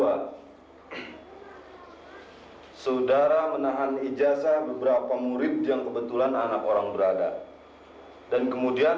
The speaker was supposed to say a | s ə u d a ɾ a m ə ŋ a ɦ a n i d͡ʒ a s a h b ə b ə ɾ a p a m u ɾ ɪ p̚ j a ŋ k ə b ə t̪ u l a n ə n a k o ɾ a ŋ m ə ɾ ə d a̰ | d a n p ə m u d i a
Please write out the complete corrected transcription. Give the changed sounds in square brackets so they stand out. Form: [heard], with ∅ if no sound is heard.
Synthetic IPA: a | s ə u d a ɾ a m ə [n] a ɦ a n i d͡ʒ a s a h b ə b ə ɾ a p a m u ɾ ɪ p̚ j a ŋ k ə b ə t̪ u l a n [a] n a k o ɾ a ŋ [b] ə ɾ [a] d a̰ | d a n [k] ə m u d i a